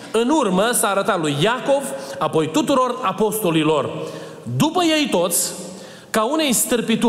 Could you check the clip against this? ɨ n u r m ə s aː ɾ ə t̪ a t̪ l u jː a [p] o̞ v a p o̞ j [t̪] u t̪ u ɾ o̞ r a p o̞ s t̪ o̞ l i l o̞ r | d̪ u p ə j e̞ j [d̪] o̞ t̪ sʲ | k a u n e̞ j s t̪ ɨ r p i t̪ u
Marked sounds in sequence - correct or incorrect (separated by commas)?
incorrect, correct, incorrect